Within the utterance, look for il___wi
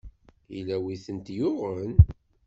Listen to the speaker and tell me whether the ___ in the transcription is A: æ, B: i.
A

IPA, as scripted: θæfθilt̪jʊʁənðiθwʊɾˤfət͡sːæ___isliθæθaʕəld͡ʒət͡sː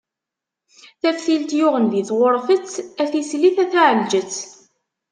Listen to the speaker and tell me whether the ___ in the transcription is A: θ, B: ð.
A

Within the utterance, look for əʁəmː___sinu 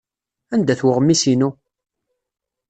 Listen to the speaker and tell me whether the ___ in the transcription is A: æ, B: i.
B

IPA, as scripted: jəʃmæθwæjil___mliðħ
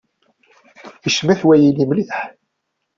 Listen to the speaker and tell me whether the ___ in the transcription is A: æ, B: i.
B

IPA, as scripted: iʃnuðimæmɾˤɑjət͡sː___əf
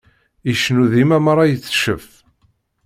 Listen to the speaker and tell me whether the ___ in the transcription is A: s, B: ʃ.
B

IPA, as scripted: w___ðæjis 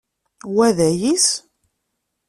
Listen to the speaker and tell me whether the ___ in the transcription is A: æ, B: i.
A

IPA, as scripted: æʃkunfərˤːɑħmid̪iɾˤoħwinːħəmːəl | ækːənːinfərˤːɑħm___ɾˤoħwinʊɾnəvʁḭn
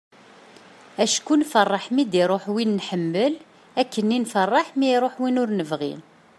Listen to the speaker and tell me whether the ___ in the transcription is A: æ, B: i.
B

